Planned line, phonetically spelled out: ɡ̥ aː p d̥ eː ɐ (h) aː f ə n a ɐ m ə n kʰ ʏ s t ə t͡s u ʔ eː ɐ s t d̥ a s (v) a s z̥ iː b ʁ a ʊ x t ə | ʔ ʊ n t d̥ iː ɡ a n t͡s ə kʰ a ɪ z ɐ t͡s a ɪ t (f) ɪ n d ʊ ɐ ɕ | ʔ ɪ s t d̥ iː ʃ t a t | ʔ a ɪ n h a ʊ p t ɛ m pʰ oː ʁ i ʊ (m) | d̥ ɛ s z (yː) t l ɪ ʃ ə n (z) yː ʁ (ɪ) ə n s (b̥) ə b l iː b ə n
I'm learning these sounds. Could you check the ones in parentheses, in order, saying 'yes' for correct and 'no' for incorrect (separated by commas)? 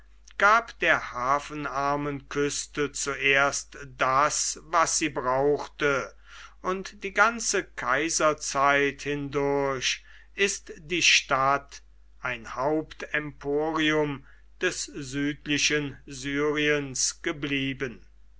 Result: yes, yes, no, yes, yes, yes, no, no